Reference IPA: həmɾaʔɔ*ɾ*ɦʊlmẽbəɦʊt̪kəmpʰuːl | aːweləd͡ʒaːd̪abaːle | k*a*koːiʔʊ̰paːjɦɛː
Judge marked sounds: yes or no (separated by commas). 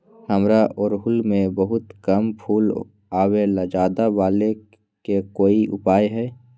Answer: yes, no